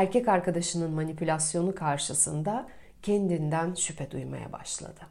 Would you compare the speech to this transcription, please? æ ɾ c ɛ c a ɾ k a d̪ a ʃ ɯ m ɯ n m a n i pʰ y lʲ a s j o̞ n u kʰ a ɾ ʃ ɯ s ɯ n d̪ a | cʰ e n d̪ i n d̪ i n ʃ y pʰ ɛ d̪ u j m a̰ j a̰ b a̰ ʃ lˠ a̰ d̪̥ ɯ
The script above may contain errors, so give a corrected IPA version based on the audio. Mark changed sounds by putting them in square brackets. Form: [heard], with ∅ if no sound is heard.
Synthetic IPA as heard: æ ɾ c ɛ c a ɾ k a d̪ a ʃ ɯ [n] ɯ n m a n i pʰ y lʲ a s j o̞ n u kʰ a ɾ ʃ ɯ s ɯ n d̪ a | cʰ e n d̪ i n d̪ [æ] n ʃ y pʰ ɛ d̪ u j m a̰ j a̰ b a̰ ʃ lˠ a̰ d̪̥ ɯ